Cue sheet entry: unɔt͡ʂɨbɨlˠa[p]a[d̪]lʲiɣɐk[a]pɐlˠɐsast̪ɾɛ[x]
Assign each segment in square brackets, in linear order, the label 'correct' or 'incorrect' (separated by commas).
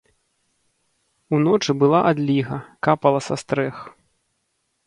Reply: incorrect, correct, correct, correct